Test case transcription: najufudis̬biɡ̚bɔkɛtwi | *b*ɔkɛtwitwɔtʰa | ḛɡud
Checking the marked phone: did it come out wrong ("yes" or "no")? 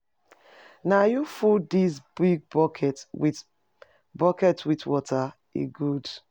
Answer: no